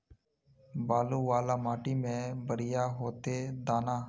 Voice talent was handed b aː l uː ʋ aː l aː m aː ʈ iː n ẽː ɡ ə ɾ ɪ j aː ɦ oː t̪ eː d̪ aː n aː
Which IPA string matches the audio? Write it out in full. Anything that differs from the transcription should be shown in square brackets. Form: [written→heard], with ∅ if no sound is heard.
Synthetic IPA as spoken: b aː l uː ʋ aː l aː m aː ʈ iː [n→m] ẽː [ɡ→b] ə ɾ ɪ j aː ɦ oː t̪ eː d̪ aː n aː